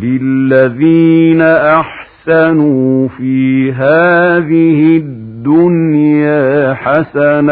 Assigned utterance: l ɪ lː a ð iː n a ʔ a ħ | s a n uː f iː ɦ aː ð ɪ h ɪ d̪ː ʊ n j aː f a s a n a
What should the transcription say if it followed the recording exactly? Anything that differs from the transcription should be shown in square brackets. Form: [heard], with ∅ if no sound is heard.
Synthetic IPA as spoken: l ɪ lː a ð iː n a ʔ a ħ | s a n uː f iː ɦ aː ð ɪ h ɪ d̪ː ʊ n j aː [ħ] a s a n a